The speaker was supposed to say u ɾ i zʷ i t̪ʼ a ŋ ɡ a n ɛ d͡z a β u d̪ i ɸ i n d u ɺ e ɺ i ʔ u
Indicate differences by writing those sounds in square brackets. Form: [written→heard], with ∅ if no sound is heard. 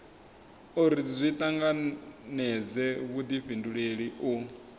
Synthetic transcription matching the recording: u ɾ i zʷ i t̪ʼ a ŋ ɡ a n ɛ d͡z [a→ɛ] β u d̪ i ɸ i n d u ɺ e ɺ i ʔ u